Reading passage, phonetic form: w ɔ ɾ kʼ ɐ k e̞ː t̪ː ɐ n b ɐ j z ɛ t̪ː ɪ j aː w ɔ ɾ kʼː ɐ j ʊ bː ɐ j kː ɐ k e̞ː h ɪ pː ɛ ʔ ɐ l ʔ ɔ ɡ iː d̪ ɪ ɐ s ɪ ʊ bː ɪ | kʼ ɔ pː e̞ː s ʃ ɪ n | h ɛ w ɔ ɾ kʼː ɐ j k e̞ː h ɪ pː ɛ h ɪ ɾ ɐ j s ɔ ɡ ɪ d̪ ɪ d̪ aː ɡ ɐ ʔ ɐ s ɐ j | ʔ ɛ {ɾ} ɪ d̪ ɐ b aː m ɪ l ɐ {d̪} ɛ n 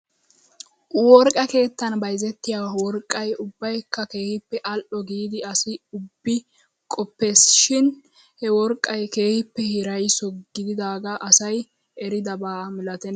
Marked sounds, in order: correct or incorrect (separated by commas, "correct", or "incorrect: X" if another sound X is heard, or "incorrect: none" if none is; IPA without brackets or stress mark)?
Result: correct, incorrect: t̪